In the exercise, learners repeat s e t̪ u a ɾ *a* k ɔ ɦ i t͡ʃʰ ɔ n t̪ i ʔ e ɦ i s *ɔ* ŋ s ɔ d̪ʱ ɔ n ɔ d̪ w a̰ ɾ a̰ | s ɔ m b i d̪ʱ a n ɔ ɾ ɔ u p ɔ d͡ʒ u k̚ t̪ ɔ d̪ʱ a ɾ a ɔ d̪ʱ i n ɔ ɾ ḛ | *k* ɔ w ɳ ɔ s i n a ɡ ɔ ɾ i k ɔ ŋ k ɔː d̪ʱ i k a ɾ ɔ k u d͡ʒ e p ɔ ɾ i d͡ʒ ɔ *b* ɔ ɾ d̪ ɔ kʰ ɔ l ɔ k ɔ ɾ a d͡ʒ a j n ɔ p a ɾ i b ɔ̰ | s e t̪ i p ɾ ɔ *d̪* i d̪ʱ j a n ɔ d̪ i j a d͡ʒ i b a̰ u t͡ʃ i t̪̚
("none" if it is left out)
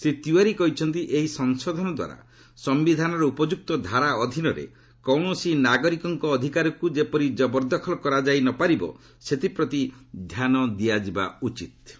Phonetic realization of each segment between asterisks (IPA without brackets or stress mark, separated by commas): i, ɔ, k, b, t̪